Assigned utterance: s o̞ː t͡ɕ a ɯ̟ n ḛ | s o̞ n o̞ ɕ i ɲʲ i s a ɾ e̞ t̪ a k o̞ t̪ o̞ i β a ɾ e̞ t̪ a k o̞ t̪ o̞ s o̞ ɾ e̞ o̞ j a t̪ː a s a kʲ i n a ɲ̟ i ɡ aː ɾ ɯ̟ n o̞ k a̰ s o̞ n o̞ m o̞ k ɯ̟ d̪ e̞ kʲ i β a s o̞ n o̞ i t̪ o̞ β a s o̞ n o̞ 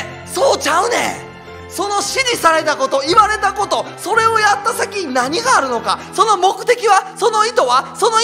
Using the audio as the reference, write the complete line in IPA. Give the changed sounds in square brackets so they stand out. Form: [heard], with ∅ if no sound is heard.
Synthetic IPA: s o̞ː t͡ɕ a ɯ̟ n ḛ | s o̞ n o̞ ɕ i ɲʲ i s a ɾ e̞ t̪ a k o̞ t̪ o̞ i β a ɾ e̞ t̪ a k o̞ t̪ o̞ s o̞ ɾ e̞ o̞ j a t̪ː a s a kʲ i n a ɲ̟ i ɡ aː ɾ ɯ̟ n o̞ k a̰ s o̞ n o̞ m o̞ k ɯ̟ [t̪] e̞ kʲ i β a s o̞ n o̞ i t̪ o̞ β a s o̞ n o̞